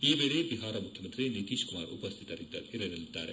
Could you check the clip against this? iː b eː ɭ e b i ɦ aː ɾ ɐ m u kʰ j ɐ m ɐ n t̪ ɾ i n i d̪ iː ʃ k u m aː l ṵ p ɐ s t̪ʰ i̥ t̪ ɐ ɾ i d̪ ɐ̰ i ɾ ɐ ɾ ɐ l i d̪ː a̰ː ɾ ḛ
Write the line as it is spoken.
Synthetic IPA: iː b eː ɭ e b i ɦ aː ɾ ɐ m u kʰ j ɐ m ɐ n t̪ ɾ i n i t̪ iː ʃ k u m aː ɾ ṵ p ɐ s t̪ʰ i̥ t̪ ɐ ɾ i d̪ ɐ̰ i ɾ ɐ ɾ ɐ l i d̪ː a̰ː ɾ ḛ